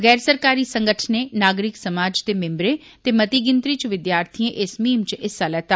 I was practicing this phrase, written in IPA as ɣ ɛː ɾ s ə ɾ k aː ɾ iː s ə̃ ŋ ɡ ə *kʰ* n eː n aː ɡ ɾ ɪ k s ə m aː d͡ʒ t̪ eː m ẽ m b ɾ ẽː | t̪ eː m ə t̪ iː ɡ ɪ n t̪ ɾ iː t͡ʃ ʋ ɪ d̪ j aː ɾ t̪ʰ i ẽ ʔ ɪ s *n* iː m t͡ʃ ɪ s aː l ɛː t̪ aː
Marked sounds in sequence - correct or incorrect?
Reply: incorrect, incorrect

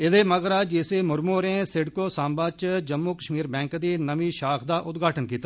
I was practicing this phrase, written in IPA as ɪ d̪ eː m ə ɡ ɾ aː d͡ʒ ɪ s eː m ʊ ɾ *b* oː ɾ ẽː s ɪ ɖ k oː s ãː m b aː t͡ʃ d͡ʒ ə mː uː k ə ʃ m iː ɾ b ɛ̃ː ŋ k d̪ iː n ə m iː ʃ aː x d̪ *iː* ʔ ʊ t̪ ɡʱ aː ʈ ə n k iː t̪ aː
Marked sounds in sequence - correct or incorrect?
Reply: incorrect, incorrect

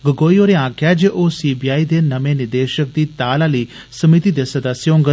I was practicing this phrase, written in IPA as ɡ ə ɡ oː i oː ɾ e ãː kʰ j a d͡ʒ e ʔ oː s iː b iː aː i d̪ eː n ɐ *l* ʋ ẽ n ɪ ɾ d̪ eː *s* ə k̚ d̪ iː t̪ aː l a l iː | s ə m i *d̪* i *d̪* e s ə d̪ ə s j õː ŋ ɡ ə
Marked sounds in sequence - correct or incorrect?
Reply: incorrect, incorrect, incorrect, correct

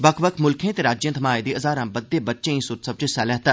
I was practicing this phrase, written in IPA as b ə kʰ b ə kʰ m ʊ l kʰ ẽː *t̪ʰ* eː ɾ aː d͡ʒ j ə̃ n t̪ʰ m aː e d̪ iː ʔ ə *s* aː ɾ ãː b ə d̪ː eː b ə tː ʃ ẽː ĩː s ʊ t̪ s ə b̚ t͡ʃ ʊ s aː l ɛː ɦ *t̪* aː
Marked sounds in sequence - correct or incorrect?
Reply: incorrect, incorrect, correct

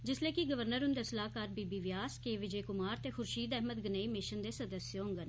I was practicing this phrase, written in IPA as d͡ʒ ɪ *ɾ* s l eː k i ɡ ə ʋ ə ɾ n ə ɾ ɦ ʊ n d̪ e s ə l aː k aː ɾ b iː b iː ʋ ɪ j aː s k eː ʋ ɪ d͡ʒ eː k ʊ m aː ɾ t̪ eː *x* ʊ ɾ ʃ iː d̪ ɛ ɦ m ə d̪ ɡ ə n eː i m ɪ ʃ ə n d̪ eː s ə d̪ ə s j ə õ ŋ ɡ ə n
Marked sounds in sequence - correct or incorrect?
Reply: incorrect, correct

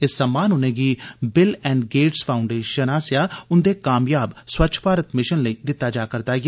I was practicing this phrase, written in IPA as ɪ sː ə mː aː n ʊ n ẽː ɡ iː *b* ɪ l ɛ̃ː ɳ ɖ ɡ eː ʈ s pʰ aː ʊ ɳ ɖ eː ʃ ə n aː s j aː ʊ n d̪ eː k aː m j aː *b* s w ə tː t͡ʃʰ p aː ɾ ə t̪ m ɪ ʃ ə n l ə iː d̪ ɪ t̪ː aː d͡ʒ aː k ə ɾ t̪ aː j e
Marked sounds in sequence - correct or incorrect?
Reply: correct, correct

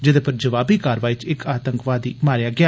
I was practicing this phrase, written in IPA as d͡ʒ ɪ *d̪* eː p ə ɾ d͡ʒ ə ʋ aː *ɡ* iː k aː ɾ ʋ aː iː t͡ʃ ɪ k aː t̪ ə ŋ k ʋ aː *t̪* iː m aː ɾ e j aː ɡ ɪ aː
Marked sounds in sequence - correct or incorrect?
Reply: correct, incorrect, incorrect

